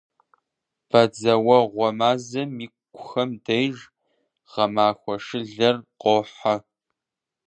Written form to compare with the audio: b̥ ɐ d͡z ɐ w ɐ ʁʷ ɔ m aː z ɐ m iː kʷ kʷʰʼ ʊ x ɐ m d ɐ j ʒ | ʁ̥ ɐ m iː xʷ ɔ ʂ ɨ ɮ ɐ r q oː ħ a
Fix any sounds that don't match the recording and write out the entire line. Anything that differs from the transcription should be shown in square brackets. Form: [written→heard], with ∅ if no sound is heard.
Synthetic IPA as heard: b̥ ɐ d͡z ɐ w ɐ ʁʷ ɔ m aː z ɐ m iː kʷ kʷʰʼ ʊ x ɐ m d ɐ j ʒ | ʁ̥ ɐ m [iː→aː] xʷ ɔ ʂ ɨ ɮ ɐ r q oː ħ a